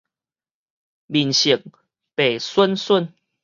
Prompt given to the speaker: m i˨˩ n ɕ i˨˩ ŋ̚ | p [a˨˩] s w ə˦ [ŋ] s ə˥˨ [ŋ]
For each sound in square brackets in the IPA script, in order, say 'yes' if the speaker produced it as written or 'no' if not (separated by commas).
no, no, no